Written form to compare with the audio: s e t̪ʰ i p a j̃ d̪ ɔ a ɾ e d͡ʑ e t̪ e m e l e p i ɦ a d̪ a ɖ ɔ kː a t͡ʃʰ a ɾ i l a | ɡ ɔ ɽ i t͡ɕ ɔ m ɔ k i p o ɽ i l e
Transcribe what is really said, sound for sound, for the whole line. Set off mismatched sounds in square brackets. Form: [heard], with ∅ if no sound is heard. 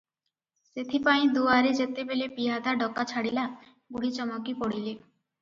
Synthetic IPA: s e t̪ʰ i p a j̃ d̪ [u] a ɾ e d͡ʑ e t̪ e [b] e l e p i ɦ a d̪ a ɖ ɔ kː a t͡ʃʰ a [ɽ] i l a | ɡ [u] ɽ i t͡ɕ ɔ m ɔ k i p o ɽ i l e